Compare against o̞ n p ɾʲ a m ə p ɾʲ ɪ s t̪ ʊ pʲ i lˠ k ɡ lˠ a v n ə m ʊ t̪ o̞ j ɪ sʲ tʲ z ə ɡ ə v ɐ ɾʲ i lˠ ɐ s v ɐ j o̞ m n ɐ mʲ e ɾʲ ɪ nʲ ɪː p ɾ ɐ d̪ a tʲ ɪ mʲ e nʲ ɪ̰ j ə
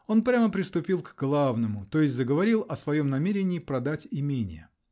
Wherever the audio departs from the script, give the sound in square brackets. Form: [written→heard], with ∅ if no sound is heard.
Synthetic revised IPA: o̞ n p ɾʲ a m ə p ɾʲ ɪ s t̪ ʊ pʲ i lˠ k ɡ lˠ a v n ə m ʊ t̪ o̞ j ɪ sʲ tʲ z ə ɡ ə v ɐ ɾʲ i lˠ ɐ s v ɐ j o̞ m n ɐ mʲ e ɾʲ ɪ nʲ ɪː p ɾ ɐ d̪ a tʲ ɪ mʲ e nʲ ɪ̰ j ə

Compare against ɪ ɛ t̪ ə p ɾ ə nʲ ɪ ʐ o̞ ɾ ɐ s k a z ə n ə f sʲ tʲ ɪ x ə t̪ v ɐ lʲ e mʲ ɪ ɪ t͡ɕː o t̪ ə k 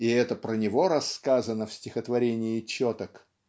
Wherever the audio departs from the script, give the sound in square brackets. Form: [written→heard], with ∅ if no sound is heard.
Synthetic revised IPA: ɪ ɛ t̪ ə p ɾ ə nʲ ɪ [ʐ→v] o̞ ɾ ɐ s k a z ə n ə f sʲ tʲ ɪ x ə t̪ v ɐ [lʲ→ɾʲ] e [mʲ→nʲ] ɪ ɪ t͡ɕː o t̪ ə k

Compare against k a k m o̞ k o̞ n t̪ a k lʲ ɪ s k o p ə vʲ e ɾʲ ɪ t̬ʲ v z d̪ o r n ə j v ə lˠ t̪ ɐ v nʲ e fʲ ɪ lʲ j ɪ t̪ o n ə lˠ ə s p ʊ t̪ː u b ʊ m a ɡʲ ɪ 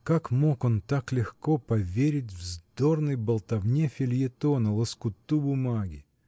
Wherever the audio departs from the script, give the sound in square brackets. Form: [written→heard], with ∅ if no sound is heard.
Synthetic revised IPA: k a k m o̞ k o̞ n t̪ a k lʲ ɪ [s→x] k o p [ə→ɐ] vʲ e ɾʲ ɪ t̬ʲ v z d̪ o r n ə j [v→b] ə lˠ t̪ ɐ v nʲ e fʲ ɪ lʲ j ɪ t̪ o n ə lˠ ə s [p→k] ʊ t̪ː u b ʊ m a ɡʲ ɪ

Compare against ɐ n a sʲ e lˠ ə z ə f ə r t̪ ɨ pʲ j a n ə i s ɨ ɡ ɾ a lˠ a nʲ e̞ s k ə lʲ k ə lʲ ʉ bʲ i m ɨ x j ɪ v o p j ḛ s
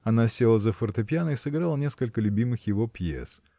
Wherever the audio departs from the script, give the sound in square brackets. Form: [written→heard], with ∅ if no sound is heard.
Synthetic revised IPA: ɐ n a sʲ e lˠ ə z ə f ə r t̪ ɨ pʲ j a n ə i s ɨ ɡ ɾ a lˠ [a→ə] nʲ e̞ s k ə lʲ k ə lʲ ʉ bʲ i m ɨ x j ɪ v o p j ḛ s

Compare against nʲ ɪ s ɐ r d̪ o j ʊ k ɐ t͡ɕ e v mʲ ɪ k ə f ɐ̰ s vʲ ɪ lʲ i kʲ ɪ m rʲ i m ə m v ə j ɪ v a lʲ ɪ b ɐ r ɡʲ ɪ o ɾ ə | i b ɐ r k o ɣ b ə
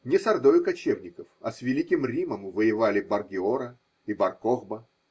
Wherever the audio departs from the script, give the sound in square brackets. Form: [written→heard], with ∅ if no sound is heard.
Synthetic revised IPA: nʲ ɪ s ɐ r d̪ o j ʊ k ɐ t͡ɕ e v [mʲ→nʲ] ɪ k ə f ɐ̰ s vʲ ɪ lʲ i kʲ ɪ m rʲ i m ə m v ə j ɪ v a lʲ ɪ b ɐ r ɡʲ ɪ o ɾ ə | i b ɐ r k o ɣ b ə

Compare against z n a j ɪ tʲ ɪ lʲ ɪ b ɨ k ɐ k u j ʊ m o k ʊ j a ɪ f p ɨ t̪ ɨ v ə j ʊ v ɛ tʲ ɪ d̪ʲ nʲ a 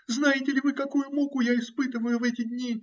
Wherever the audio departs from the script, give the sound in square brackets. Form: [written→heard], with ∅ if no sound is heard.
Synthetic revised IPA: z n a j ɪ tʲ ɪ lʲ ɪ [b→v] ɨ k ɐ k u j ʊ m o k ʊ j a ɪ [f→s] p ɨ t̪ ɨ v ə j ʊ v ɛ tʲ ɪ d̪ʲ nʲ [a→i]

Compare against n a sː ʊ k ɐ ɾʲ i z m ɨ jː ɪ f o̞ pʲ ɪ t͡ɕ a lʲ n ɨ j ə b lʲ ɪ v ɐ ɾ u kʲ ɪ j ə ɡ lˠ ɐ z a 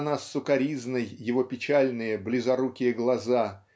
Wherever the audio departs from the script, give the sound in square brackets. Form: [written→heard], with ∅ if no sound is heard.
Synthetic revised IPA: n a sː ʊ k ɐ ɾʲ i z [m→n] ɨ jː ɪ [f→v] o̞ pʲ ɪ t͡ɕ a lʲ n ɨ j ə b lʲ ɪ [v→z] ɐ ɾ u kʲ ɪ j ə ɡ lˠ ɐ z a

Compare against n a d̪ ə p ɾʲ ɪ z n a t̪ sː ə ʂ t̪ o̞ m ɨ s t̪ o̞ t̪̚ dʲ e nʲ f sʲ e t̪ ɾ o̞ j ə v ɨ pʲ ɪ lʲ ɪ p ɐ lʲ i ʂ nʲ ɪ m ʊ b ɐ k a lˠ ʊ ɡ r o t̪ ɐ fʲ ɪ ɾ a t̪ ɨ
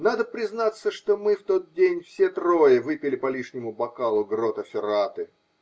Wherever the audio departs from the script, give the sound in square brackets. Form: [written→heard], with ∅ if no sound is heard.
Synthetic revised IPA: n a d̪ ə p ɾʲ ɪ z n a t̪ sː ə ʂ t̪ o̞ m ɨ [s→f] t̪ o̞ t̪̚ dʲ e nʲ f sʲ e t̪ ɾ o̞ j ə v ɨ pʲ ɪ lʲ ɪ p ɐ lʲ i ʂ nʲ ɪ m ʊ b ɐ k a lˠ ʊ ɡ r o t̪ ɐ fʲ ɪ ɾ a t̪ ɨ

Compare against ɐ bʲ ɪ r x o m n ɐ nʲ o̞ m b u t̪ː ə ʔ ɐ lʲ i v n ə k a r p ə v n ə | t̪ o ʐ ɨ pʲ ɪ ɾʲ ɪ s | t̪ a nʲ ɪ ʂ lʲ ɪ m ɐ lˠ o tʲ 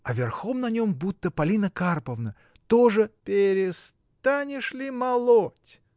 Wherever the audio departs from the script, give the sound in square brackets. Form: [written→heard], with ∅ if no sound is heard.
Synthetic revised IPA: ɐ [bʲ→vʲ] ɪ r x o m n ɐ nʲ o̞ m b u t̪ː ə [ʔ→p] ɐ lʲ i [v→∅] n ə k a r p ə v n ə | t̪ o ʐ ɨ pʲ ɪ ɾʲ ɪ s | t̪ a nʲ ɪ ʂ lʲ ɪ m ɐ lˠ o tʲ

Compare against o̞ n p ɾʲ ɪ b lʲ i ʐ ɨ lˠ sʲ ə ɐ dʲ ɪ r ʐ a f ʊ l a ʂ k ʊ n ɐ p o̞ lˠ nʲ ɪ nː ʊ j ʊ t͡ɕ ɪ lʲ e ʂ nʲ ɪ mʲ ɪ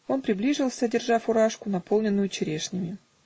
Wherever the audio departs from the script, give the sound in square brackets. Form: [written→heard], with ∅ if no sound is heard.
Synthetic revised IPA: o̞ n p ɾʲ ɪ b lʲ i ʐ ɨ lˠ sʲ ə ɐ dʲ ɪ r ʐ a f ʊ [l→ɾ] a ʂ k ʊ n ɐ p o̞ lˠ nʲ ɪ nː ʊ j ʊ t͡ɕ ɪ [lʲ→ɾʲ] e ʂ nʲ ɪ mʲ ɪ

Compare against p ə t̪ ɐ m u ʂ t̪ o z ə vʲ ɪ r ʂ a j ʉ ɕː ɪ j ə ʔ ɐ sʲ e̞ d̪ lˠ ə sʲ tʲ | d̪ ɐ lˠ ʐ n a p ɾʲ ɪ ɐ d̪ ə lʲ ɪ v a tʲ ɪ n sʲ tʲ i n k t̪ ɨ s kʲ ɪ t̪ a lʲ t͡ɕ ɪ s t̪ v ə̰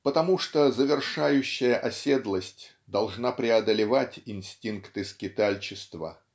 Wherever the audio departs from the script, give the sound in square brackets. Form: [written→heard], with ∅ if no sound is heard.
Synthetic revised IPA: p ə t̪ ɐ m u ʂ t̪ o z ə vʲ ɪ r ʂ a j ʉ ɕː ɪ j ə ʔ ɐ sʲ e̞ d̪ lˠ ə sʲ tʲ | d̪ ɐ lˠ ʐ n a p ɾʲ ɪ ɐ d̪ ə lʲ ɪ v a tʲ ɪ n sʲ tʲ i n k t̪ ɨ s kʲ ɪ t̪ a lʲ t͡ɕ ɪ s t̪ v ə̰

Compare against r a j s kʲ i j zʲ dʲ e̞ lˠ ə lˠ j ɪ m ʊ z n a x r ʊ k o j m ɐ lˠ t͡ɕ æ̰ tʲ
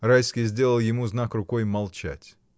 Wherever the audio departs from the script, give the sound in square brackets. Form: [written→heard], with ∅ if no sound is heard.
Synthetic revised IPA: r a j s kʲ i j zʲ dʲ e̞ lˠ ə lˠ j ɪ m [ʊ→u] z n a [x→k] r ʊ k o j m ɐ lˠ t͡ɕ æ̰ tʲ

